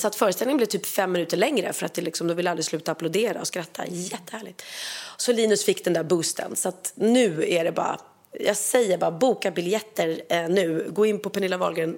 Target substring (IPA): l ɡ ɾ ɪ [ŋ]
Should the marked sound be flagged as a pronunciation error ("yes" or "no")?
yes